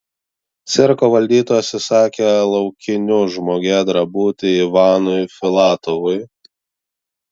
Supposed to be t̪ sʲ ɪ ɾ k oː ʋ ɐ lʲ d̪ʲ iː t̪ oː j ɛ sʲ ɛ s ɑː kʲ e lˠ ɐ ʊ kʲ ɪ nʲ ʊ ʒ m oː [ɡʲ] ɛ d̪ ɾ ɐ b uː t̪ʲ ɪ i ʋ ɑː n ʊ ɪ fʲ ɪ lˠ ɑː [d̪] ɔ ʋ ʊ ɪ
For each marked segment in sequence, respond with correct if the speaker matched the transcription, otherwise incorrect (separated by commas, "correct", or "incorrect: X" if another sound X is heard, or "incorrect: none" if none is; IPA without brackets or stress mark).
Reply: correct, incorrect: t̪